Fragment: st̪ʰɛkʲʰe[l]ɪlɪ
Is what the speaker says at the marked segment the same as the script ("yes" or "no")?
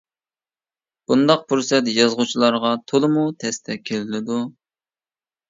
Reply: yes